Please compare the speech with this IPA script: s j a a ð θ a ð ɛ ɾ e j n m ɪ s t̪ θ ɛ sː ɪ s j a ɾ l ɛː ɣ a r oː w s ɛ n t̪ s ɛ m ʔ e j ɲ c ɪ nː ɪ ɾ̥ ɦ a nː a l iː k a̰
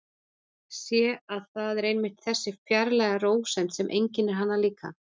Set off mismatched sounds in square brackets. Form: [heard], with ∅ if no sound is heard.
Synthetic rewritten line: s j [ɛ] a ð θ a ð ɛ ɾ e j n m ɪ [h] t̪ θ ɛ sː ɪ [f] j a ɾ l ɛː ɣ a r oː w s ɛ n t̪ s ɛ m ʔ e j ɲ c ɪ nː ɪ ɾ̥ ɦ a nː a l iː k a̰